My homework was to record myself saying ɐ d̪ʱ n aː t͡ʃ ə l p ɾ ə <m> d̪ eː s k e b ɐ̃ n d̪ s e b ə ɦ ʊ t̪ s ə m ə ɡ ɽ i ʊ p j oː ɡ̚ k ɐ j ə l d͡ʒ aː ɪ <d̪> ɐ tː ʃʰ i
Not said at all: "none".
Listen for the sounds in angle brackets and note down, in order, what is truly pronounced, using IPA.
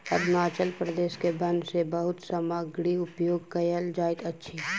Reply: none, t̪

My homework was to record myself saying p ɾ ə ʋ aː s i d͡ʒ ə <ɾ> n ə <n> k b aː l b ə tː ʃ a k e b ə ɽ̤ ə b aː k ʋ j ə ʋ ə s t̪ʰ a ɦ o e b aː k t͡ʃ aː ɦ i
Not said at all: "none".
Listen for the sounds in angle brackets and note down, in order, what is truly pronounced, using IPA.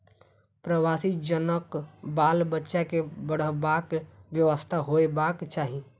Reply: none, none

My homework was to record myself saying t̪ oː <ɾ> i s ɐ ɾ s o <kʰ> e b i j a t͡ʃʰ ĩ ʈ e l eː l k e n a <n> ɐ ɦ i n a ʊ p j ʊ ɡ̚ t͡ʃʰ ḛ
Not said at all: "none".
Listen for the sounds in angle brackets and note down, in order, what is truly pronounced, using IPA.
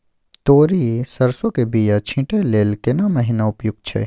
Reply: ɾ, k, m

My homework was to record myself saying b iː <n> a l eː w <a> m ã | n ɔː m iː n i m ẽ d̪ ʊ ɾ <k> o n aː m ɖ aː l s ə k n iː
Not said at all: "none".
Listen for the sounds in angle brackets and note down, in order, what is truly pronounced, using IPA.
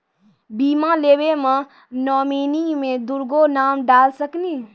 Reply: m, e, ɡ

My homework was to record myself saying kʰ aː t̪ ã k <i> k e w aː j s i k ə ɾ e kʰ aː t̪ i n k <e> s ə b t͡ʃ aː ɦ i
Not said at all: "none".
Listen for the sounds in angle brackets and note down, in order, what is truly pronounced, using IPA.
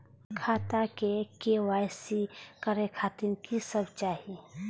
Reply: e, i

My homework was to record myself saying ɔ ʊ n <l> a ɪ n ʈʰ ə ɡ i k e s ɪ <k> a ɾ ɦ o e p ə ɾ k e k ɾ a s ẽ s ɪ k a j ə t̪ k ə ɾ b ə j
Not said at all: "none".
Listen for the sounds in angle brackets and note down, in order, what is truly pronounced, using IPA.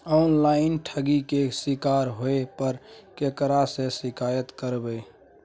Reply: l, k

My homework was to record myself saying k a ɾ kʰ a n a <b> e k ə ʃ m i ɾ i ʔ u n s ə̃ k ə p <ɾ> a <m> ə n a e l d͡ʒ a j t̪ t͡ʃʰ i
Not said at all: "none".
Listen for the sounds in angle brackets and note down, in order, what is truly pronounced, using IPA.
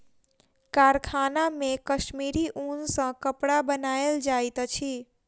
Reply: m, ɽ, b

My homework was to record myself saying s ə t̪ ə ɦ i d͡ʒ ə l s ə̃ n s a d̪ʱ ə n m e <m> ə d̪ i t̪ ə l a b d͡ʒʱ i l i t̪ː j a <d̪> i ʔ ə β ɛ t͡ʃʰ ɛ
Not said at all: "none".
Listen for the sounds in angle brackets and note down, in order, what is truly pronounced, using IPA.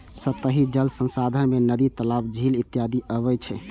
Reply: n, d̪

